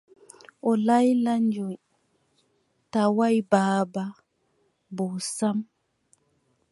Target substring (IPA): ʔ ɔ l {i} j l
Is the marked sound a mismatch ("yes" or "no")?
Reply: yes